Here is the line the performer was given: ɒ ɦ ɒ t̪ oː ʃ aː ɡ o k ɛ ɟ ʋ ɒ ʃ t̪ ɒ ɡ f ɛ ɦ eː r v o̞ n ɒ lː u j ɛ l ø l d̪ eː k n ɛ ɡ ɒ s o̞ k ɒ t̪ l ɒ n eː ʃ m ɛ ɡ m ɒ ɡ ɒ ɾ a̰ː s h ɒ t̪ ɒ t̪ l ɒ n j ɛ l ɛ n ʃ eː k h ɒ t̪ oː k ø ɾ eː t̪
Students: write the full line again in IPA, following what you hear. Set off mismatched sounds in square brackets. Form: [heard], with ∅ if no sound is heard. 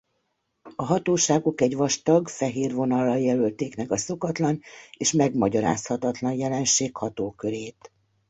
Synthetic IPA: ɒ ɦ ɒ t̪ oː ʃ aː ɡ o k ɛ ɟ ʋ ɒ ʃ t̪ ɒ ɡ f ɛ ɦ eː r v o̞ n ɒ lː [ɒ] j ɛ l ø l [t̪] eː k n ɛ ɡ ɒ s o̞ k ɒ t̪ l ɒ n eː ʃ m ɛ ɡ m ɒ [ɟ] ɒ ɾ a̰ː s h ɒ t̪ ɒ t̪ l ɒ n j ɛ l ɛ n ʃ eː k h ɒ t̪ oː k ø ɾ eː t̪